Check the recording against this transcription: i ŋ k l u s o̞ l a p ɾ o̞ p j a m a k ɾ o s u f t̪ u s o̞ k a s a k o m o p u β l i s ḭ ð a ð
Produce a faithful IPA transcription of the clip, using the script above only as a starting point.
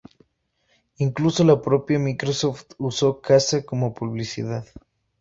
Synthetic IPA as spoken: i ŋ k l u s o̞ l a p ɾ o̞ p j a m i k ɾ o s o f t̪ u s o̞ k a s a k o m o p u β l i s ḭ ð a ð